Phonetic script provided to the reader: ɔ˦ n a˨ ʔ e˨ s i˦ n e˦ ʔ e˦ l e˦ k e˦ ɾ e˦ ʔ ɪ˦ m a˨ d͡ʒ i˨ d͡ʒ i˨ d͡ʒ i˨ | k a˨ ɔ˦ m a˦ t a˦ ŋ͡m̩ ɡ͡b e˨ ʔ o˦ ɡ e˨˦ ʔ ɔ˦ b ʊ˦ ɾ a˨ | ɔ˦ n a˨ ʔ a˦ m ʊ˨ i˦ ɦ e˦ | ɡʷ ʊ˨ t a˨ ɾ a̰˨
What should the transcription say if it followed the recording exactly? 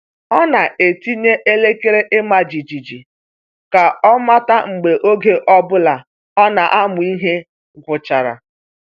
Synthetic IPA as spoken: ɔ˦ n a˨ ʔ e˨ t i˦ ɲ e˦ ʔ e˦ l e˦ k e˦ ɾ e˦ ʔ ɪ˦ m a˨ d͡ʒ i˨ d͡ʒ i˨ d͡ʒ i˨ | k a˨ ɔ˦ m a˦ t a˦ ŋ͡m̩ ɡ͡b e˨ ʔ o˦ ɡ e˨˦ ʔ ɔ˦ b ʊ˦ l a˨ | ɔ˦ n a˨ ʔ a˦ m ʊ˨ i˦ ɦ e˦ | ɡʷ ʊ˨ t͡ʃ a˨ ɾ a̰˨

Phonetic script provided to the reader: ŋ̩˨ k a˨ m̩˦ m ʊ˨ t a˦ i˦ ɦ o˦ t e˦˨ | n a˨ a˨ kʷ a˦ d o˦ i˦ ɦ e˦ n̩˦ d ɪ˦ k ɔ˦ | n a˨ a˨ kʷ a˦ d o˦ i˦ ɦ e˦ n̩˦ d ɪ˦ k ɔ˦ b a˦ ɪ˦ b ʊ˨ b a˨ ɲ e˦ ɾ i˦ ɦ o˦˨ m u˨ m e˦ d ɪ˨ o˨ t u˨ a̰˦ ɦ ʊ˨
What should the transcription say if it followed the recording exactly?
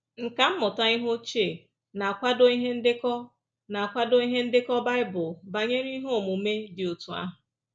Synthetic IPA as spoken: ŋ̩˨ k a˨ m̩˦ m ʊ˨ t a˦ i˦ ɦ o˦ t͡ʃ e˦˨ | n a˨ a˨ kʷ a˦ d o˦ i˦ ɦ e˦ n̩˦ d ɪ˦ k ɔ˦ | n a˨ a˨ kʷ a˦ d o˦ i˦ ɦ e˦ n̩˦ d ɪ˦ k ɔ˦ b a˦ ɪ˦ b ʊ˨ b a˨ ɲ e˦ ɾ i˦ ɦ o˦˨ m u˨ m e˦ d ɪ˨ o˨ t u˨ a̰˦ ɦ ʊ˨

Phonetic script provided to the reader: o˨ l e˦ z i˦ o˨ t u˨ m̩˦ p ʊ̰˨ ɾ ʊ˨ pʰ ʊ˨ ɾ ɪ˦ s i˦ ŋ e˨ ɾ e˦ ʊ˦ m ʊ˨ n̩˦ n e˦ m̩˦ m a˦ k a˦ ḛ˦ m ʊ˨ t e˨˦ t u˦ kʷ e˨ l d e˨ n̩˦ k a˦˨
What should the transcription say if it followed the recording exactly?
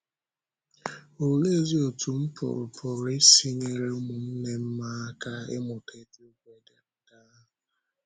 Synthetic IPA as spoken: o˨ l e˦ z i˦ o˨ t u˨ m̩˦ p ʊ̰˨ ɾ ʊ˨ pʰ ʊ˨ ɾ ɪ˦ s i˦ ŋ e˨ ɾ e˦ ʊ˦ m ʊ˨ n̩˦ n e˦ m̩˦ m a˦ k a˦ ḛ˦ m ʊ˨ t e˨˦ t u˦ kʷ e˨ d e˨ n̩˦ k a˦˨

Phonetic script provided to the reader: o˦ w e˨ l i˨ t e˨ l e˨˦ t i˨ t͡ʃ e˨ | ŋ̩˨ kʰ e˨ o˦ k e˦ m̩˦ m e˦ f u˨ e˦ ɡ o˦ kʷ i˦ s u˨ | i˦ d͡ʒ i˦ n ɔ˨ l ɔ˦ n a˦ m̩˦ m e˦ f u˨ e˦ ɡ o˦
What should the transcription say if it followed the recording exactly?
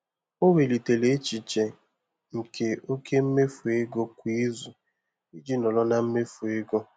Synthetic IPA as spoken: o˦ w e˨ l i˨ t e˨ l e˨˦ t͡ʃ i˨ t͡ʃ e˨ | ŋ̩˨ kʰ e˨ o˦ k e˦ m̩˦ m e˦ f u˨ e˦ ɡ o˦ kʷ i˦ z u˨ | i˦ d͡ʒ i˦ n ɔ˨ l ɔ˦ n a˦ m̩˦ m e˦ f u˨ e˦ ɡ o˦

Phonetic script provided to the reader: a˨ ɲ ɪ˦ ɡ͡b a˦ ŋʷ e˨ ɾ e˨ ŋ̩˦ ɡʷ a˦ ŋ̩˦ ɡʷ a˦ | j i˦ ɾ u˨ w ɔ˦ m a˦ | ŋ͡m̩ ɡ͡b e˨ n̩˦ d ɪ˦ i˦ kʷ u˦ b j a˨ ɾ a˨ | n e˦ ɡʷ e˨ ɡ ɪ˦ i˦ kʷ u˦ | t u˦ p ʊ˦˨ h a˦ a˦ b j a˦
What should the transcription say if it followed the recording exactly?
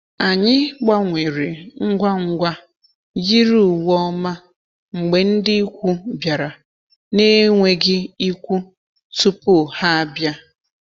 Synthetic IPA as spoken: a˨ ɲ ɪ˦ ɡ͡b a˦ ŋʷ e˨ ɾ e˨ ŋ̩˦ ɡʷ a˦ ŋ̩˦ ɡʷ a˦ | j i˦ ɾ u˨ w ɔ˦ m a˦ | ŋ͡m̩ ɡ͡b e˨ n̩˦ d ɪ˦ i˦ kʷ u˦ b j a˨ ɾ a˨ | n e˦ ŋʷ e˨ ɡ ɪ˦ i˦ kʷ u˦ | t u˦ p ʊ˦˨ h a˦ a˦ b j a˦

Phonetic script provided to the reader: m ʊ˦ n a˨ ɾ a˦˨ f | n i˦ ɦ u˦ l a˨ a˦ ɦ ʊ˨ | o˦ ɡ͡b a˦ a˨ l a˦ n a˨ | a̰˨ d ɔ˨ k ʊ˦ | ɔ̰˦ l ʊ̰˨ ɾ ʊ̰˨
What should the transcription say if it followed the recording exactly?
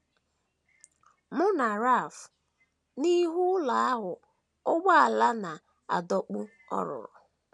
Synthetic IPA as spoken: m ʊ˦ n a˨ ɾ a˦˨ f | n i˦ ɦ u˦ l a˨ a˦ ɦ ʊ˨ | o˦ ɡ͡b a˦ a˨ l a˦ n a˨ | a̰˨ d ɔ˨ k͡p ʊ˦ | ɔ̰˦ ɾ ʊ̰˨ ɾ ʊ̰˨

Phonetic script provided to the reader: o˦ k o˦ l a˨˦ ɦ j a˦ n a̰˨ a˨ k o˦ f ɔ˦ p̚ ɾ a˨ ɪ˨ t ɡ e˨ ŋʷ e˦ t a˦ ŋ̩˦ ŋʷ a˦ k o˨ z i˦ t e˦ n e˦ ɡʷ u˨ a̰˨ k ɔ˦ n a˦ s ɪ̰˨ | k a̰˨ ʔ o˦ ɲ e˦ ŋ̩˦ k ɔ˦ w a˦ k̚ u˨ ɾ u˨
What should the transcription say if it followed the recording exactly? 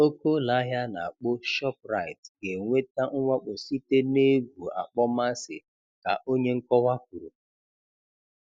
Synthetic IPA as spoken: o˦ k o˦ l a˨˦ ɦ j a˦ n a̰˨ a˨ k͡p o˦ ʃ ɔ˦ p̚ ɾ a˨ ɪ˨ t ɡ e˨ ŋʷ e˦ t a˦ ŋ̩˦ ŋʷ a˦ k͡p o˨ s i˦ t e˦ n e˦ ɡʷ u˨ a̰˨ k͡p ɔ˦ m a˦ s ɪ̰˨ | k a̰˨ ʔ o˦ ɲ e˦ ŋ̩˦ k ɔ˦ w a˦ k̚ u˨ ɾ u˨

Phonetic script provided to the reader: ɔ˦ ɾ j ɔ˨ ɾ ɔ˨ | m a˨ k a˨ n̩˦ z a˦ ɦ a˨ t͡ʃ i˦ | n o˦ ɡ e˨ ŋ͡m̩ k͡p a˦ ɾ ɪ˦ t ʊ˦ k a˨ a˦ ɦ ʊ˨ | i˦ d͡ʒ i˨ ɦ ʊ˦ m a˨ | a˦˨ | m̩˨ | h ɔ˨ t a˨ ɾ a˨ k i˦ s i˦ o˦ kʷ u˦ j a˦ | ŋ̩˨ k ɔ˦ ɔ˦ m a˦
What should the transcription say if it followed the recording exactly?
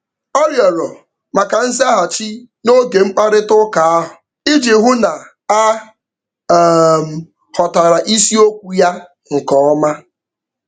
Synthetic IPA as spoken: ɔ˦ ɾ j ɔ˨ ɾ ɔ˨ | m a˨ k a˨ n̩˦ z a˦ ɦ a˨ t͡ʃ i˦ | n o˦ ɡ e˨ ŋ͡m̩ k͡p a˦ ɾ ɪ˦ t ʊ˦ k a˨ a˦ ɦ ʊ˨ | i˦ d͡ʒ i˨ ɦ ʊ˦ n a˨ | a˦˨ | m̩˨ | h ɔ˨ t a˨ ɾ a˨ ʔ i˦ s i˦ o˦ kʷ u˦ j a˦ | ŋ̩˨ k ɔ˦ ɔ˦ m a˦

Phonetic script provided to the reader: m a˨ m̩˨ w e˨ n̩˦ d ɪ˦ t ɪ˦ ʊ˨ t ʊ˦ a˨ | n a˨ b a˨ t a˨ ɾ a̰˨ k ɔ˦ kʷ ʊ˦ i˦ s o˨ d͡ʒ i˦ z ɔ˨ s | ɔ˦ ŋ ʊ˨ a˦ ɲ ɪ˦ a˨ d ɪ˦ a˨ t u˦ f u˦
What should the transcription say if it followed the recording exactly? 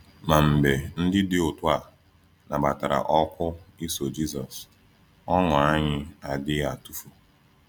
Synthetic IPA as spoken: m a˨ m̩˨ b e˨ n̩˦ d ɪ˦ d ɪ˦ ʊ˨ t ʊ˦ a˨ | n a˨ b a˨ t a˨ ɾ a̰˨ ʔ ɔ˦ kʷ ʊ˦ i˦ s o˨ d͡ʒ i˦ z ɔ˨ s | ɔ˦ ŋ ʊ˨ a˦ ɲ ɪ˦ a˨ d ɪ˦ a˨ t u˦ f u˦

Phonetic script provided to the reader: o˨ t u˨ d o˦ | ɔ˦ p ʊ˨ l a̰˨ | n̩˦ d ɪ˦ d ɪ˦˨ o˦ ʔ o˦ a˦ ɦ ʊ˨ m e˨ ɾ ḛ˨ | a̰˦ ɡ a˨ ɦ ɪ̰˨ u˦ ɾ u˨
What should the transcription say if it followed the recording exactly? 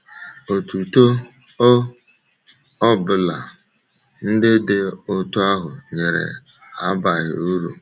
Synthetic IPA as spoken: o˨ t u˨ t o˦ | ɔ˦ b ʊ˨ l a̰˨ | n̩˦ d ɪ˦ d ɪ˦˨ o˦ t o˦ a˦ ɦ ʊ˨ ɲ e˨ ɾ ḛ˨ | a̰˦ b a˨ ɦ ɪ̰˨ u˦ ɾ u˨

